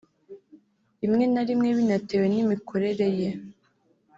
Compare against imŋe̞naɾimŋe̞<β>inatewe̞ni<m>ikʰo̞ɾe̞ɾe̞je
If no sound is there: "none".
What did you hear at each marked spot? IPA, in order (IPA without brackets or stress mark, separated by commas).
β, m